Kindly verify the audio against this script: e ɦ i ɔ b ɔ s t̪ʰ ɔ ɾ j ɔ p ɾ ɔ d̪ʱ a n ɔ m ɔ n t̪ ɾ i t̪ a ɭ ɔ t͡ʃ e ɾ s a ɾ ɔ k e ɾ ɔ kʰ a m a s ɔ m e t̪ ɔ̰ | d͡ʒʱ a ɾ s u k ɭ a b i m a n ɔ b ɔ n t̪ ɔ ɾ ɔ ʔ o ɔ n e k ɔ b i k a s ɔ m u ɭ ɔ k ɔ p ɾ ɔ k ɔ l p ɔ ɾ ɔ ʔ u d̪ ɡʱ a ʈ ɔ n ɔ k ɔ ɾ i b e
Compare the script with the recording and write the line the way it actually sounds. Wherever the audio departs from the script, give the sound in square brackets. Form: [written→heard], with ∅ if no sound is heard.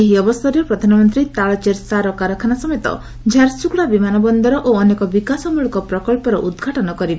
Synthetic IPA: e ɦ i ɔ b ɔ s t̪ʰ ɔ ɾ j ɔ p ɾ ɔ d̪ʱ a n ɔ m ɔ n t̪ ɾ i t̪ a ɭ ɔ t͡ʃ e ɾ s a ɾ ɔ k [e→a] ɾ ɔ kʰ a [m→n] a s ɔ m e t̪ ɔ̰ | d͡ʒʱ a ɾ s u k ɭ a b i m a n ɔ b ɔ n [t̪→d̪] ɔ ɾ ɔ ʔ o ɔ n e k ɔ b i k a s ɔ m u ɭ ɔ k ɔ p ɾ ɔ k ɔ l p ɔ ɾ ɔ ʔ u d̪ ɡʱ a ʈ ɔ n ɔ k ɔ ɾ i b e